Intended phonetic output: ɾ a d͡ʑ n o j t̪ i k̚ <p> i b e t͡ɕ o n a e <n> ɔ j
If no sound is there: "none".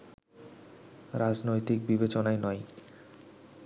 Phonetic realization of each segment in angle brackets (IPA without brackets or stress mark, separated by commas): b, n